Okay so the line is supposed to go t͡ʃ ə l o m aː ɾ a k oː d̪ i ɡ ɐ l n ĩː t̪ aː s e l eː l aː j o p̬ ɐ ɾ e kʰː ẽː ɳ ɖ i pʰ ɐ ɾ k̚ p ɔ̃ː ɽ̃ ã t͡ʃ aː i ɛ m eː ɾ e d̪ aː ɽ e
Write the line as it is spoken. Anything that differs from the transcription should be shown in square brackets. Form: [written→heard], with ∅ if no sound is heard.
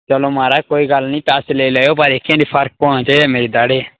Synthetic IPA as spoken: t͡ʃ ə l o m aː ɾ a k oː [d̪→∅] i ɡ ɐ l n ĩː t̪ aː s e l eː l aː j o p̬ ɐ ɾ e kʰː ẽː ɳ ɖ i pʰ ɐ ɾ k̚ p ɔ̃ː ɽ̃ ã t͡ʃ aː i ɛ m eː ɾ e d̪ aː ɽ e